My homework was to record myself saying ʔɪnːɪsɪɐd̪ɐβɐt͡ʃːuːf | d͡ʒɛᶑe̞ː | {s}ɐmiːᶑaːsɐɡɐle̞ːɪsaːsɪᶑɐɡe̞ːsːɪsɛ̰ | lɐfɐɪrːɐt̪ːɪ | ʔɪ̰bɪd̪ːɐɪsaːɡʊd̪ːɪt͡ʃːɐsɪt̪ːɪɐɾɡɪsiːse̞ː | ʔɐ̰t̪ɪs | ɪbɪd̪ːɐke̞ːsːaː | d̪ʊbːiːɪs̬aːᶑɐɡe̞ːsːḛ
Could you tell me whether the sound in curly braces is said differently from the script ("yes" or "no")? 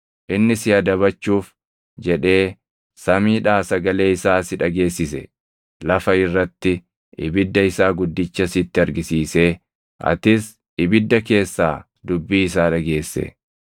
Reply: no